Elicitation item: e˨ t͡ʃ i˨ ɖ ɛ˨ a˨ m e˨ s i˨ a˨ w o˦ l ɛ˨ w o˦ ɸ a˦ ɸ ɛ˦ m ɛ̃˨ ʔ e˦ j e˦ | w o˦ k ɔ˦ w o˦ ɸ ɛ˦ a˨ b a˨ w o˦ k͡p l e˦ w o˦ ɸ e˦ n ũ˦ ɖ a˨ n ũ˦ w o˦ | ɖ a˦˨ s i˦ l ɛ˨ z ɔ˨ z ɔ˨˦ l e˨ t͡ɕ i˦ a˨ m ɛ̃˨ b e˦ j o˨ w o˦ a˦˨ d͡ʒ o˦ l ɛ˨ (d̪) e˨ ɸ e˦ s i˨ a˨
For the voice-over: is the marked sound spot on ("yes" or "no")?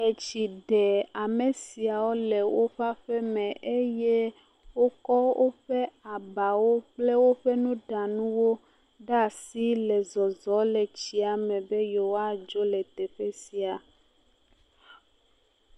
no